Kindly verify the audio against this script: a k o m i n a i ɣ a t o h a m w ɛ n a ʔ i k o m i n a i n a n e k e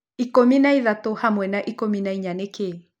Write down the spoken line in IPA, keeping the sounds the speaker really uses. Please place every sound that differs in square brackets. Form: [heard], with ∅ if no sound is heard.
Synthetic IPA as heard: [i] k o m i n a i [ð] a t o h a m w ɛ n a ʔ i k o m i n a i [ɲ] a n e k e